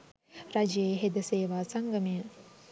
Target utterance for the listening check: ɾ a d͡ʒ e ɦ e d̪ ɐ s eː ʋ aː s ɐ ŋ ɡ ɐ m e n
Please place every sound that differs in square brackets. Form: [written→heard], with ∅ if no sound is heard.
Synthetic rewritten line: ɾ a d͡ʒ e ɦ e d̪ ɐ s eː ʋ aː s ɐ ŋ ɡ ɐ m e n

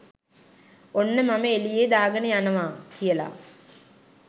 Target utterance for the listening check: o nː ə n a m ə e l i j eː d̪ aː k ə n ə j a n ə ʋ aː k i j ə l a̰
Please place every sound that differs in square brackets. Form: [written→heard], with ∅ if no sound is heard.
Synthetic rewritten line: o nː ə [n→m] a m ə e l i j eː d̪ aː [k→ɡ] ə n ə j a n ə ʋ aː k i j ə l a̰

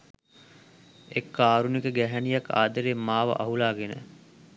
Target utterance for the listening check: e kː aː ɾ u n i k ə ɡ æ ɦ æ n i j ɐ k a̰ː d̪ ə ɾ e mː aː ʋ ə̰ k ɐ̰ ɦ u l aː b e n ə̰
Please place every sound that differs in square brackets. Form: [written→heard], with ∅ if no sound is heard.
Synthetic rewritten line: e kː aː ɾ u n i k ə ɡ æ ɦ æ n i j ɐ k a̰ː d̪ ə ɾ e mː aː ʋ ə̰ [k→ʔ] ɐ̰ ɦ u l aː [b→ɡ] e n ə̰

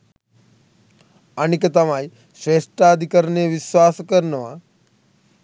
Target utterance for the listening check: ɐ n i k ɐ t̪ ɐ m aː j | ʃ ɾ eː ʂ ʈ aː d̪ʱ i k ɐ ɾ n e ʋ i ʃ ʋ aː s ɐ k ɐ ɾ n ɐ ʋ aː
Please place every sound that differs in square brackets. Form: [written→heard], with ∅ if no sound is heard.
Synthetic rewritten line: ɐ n i k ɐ t̪ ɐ m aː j | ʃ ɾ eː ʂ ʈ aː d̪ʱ i k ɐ ɾ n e ʋ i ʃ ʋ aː s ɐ k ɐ ɾ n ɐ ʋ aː

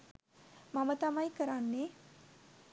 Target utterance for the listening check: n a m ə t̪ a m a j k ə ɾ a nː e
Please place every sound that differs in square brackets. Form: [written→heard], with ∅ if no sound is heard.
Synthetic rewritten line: [n→m] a m ə t̪ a m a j k ə ɾ a nː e

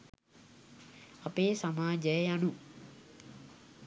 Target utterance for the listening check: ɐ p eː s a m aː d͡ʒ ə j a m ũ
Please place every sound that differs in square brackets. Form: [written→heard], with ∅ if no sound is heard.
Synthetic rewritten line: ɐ p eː s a m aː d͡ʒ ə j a [m→n] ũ

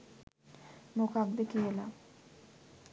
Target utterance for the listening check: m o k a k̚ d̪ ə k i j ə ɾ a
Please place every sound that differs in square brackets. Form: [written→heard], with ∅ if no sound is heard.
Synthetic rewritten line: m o k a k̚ d̪ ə k i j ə [ɾ→l] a

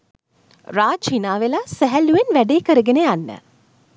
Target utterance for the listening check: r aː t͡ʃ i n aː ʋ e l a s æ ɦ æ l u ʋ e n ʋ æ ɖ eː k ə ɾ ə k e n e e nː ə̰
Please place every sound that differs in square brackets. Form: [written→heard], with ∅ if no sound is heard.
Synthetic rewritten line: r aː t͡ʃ i n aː ʋ e l a s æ ɦ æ l u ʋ e n ʋ æ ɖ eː k ə ɾ ə [k→ɡ] e n e [e→a] nː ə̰

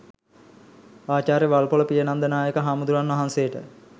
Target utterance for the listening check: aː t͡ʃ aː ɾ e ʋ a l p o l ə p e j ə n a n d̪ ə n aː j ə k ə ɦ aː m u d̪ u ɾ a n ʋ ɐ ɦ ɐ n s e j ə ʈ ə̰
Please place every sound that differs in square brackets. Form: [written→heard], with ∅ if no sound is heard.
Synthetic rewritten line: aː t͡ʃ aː ɾ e ʋ a l p o l ə p [e→i] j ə n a n d̪ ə n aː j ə k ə ɦ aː m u d̪ u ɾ a n ʋ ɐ ɦ [ɐ→a] n s e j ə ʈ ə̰

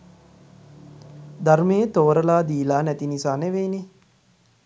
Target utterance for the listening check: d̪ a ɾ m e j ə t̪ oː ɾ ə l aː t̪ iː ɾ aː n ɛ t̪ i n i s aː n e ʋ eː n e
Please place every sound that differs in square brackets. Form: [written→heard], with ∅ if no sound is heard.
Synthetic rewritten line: d̪ a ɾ m e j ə t̪ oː ɾ ə l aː [t̪→d̪] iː [ɾ→l] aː n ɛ t̪ i n i s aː n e ʋ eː n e

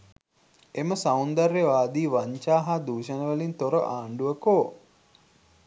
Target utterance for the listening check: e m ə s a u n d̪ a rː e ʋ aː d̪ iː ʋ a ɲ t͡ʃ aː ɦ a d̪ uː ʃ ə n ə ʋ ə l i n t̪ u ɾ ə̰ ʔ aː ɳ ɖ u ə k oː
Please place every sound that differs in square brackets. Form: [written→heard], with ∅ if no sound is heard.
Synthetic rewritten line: e m ə s a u n d̪ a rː e ʋ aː d̪ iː ʋ a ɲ t͡ʃ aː ɦ a d̪ uː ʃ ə n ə ʋ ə l i n t̪ [u→o] ɾ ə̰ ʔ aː ɳ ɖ u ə k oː

